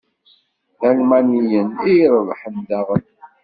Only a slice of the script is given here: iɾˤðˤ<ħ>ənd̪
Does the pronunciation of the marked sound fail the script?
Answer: no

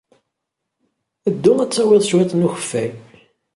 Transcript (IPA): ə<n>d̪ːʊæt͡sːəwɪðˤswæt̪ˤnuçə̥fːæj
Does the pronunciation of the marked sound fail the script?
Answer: yes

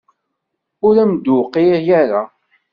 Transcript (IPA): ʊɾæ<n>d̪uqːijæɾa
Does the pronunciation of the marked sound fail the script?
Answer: yes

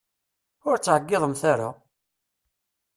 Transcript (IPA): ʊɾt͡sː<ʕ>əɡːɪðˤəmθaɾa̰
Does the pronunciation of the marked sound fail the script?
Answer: no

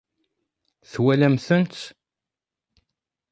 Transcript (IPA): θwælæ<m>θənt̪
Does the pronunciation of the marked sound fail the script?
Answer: no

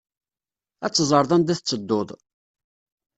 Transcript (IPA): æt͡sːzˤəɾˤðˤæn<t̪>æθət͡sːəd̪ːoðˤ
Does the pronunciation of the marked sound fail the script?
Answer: yes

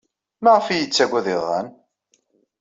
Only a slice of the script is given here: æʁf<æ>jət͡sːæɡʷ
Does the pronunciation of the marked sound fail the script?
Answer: yes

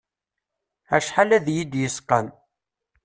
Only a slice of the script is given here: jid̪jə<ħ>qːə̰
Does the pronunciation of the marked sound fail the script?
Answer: yes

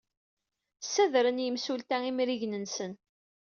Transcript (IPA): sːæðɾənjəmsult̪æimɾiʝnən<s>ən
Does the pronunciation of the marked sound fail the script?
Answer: no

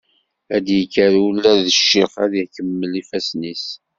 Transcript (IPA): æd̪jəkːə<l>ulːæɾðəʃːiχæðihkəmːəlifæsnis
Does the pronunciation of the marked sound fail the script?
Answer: yes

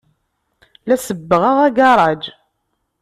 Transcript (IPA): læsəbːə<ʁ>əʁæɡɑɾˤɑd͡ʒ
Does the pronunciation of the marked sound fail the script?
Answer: no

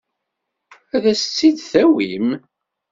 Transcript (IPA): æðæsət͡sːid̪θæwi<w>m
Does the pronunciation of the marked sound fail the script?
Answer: yes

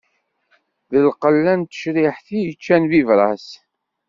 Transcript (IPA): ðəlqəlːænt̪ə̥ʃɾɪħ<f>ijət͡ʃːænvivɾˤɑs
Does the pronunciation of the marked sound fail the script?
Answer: yes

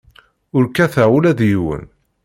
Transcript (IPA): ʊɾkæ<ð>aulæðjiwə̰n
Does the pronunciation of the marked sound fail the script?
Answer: yes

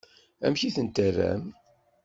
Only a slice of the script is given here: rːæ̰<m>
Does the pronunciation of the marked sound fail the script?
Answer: no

